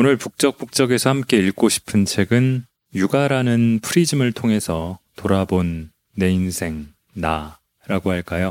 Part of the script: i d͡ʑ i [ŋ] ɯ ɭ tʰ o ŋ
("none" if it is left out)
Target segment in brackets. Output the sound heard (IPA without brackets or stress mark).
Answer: m